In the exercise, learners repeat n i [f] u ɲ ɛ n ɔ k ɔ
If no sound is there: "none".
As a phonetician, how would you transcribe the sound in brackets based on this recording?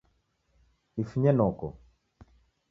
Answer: f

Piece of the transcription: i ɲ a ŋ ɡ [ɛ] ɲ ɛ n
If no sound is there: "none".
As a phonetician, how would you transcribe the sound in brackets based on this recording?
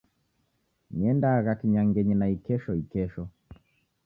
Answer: ɛ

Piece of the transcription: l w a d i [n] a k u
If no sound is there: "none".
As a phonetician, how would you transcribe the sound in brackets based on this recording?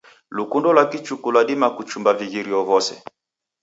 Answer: m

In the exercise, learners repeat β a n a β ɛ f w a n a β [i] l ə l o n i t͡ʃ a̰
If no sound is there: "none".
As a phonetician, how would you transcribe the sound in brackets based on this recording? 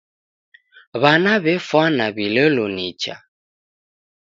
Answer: i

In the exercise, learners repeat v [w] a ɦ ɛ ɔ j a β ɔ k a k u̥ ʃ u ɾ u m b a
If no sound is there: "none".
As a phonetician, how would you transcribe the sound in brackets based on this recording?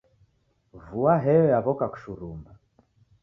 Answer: u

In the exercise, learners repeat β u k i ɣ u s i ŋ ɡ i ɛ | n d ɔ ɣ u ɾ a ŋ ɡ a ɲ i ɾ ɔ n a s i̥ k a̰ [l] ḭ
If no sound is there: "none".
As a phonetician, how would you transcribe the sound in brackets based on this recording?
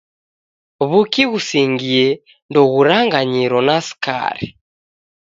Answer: ɾ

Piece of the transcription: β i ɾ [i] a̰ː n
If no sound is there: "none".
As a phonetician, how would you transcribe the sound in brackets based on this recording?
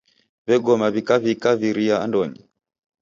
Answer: i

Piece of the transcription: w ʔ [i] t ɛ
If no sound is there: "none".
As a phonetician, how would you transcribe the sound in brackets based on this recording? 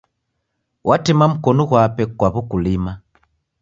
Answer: a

